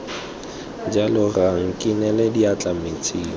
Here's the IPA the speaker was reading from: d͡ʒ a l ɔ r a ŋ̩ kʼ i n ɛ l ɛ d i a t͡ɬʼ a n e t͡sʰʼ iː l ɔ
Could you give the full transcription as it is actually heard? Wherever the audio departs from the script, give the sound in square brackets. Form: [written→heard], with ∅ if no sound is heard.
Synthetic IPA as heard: d͡ʒ a l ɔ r a ŋ̩ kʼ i n ɛ l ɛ d i a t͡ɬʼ a [n→m] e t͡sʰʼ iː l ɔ